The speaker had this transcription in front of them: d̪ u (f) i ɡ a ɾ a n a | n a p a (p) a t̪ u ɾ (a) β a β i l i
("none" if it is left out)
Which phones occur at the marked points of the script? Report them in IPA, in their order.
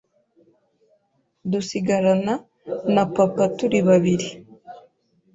s, p, i

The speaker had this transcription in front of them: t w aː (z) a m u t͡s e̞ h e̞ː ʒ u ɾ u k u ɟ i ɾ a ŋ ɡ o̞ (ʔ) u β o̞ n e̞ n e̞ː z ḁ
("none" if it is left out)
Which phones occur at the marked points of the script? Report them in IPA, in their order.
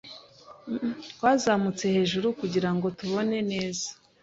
z, t

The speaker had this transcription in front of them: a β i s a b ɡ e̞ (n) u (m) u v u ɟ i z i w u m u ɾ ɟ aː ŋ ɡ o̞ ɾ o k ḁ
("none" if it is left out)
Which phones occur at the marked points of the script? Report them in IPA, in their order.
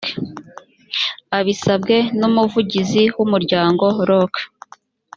n, m

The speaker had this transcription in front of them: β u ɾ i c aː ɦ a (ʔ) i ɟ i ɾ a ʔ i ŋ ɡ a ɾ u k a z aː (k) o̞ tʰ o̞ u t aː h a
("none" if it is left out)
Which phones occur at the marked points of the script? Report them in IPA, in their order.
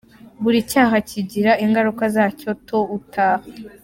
c, c

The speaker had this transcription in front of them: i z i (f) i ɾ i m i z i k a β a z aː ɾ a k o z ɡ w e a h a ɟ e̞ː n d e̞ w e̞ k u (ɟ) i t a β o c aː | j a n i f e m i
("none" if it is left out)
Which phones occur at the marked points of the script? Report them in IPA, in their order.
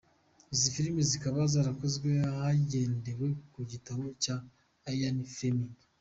f, ɟ

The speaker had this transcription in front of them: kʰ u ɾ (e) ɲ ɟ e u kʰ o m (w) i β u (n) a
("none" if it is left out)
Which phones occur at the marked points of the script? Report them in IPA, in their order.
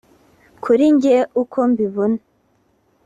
i, b, n

